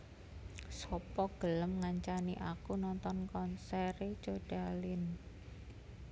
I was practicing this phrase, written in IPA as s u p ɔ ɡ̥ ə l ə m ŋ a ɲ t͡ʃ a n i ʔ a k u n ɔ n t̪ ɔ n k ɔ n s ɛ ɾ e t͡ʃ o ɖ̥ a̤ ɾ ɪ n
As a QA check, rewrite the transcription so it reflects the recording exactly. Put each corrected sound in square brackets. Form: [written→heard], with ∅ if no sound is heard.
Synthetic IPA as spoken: s [u→ɔ] p ɔ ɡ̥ ə l ə m ŋ a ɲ t͡ʃ a n i ʔ a k u n ɔ n t̪ ɔ n k ɔ n s ɛ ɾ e t͡ʃ o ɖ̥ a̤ [ɾ→l] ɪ n